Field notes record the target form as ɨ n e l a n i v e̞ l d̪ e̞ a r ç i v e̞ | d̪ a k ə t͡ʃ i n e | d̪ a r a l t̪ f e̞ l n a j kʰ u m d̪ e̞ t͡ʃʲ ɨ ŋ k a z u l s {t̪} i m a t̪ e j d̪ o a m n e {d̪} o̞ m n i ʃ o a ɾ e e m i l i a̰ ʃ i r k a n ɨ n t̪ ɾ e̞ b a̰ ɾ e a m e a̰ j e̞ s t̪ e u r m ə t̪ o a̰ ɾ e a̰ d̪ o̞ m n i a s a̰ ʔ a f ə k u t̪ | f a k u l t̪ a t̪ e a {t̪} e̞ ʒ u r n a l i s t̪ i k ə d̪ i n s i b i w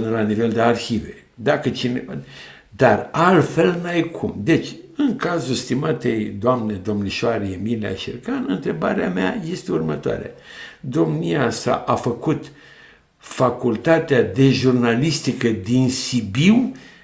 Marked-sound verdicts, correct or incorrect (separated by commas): correct, correct, incorrect